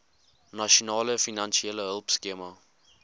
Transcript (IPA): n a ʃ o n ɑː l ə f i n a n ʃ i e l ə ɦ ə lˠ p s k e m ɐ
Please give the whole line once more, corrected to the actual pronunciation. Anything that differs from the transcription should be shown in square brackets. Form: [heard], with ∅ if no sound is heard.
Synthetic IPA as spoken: n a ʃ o n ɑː l ə f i n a n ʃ i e l ə ɦ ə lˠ p s k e m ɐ